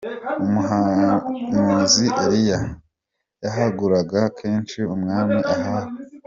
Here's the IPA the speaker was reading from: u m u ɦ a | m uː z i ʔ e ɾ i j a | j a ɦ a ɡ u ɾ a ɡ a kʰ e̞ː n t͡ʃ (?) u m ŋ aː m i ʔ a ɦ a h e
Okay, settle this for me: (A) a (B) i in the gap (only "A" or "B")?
B